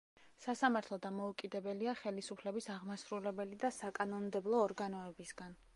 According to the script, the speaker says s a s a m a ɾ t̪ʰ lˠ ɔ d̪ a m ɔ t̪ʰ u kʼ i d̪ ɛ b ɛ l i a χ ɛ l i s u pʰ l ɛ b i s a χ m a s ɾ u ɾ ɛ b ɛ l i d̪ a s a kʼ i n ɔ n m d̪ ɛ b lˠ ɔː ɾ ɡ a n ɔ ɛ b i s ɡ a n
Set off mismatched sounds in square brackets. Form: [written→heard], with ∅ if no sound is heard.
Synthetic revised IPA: s a s a m a ɾ t̪ʰ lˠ ɔ d̪ a m ɔ [t̪ʰ→∅] u kʼ i d̪ ɛ b ɛ l i a χ ɛ l i s u pʰ l ɛ b i s a [χ→ʁ] m a s ɾ u [ɾ→l] ɛ b ɛ l i d̪ a s a kʼ [i→a] n ɔ n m d̪ ɛ b lˠ ɔː ɾ ɡ a n ɔ ɛ b i s ɡ a n